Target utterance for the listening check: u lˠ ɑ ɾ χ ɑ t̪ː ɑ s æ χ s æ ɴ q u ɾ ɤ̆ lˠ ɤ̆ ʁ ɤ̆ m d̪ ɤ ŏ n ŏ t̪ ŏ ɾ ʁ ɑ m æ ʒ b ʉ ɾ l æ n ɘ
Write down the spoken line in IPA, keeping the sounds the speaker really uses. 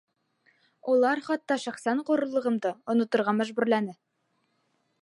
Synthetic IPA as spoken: u lˠ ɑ ɾ χ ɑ t̪ː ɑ ʃ æ χ s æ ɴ q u ɾ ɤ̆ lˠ ɤ̆ ʁ ɤ̆ m d̪ ɤ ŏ n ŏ t̪ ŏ ɾ ʁ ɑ m æ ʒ b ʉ ɾ l æ n ɘ